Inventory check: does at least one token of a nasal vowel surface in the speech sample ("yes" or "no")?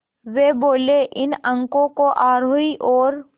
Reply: yes